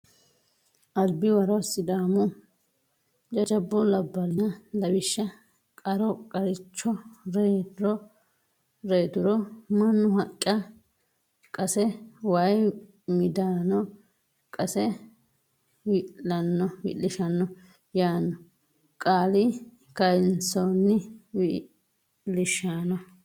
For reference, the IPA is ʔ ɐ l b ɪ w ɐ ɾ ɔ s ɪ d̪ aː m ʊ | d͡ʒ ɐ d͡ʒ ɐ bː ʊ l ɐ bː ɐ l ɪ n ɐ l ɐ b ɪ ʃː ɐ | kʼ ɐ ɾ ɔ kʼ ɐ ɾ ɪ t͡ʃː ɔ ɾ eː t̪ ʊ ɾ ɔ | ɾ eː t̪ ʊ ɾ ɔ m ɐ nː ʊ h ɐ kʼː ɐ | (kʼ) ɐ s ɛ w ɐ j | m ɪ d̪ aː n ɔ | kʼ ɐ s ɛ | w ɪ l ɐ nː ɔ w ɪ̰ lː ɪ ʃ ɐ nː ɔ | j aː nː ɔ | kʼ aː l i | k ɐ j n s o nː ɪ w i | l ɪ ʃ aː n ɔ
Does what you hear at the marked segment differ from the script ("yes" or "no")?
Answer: no